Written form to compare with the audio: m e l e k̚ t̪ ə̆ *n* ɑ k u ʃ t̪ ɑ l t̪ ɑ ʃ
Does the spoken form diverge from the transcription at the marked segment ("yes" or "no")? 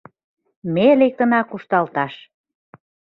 no